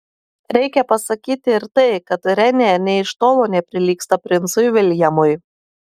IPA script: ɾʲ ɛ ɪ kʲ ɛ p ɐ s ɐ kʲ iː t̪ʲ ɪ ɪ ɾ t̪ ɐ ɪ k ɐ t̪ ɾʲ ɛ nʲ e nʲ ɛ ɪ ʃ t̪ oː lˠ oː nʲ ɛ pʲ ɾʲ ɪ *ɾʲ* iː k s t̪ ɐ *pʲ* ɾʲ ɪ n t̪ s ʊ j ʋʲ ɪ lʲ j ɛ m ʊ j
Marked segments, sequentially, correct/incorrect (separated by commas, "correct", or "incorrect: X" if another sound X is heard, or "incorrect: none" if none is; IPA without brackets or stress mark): incorrect: lʲ, correct